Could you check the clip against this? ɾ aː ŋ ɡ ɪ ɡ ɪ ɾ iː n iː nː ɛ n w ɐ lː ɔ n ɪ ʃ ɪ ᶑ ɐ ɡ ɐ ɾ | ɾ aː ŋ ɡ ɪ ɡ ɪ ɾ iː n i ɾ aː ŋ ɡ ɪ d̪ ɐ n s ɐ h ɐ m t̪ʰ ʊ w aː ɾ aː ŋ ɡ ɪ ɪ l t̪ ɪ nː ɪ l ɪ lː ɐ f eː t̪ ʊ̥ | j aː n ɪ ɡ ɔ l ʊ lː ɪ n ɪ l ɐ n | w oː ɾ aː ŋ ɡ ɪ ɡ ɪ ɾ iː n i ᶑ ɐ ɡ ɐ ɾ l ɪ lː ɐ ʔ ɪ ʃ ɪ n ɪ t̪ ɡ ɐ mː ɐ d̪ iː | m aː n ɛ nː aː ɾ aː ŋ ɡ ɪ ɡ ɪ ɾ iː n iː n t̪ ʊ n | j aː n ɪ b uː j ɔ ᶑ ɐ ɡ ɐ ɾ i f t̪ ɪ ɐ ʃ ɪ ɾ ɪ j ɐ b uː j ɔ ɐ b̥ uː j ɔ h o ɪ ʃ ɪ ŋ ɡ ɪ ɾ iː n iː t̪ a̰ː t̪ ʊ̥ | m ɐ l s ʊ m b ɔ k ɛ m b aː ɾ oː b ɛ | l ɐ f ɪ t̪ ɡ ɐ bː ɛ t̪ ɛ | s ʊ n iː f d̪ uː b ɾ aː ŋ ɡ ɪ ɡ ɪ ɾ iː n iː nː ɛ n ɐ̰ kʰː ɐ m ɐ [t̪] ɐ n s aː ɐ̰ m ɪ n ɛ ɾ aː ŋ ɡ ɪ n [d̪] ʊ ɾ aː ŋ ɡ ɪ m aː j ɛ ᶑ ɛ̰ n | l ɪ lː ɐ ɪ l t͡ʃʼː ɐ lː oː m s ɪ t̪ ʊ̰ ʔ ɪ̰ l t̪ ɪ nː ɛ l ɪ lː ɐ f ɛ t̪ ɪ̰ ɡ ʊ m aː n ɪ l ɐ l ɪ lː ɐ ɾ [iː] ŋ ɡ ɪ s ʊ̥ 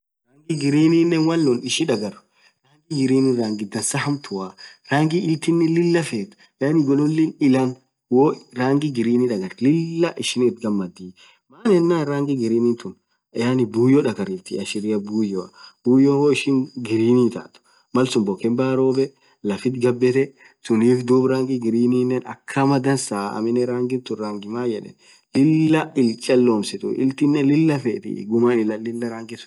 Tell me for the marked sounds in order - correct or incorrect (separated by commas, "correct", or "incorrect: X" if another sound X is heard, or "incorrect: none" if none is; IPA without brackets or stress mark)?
incorrect: d̪, incorrect: t̪, incorrect: aː